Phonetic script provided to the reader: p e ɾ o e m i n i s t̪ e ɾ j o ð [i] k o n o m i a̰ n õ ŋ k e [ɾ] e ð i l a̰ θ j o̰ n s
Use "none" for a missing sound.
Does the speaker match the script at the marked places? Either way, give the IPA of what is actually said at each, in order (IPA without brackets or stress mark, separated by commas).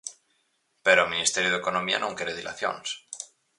e, ɾ